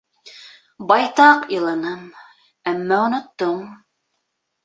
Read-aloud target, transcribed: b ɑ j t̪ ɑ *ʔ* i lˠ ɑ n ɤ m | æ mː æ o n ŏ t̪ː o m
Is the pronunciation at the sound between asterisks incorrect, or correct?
incorrect